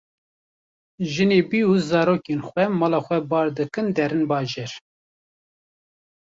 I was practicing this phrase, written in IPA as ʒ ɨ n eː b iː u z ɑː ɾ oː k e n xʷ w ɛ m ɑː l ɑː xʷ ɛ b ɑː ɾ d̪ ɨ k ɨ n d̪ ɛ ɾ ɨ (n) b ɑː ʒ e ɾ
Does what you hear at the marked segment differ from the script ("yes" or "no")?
no